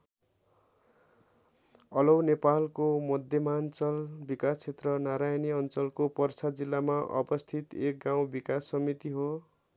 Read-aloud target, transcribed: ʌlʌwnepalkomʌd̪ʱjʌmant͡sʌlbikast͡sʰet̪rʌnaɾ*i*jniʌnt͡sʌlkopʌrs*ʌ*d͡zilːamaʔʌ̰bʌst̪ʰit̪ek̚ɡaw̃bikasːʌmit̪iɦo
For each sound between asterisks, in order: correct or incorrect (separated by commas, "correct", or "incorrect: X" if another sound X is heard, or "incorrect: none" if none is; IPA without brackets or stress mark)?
incorrect: a, incorrect: a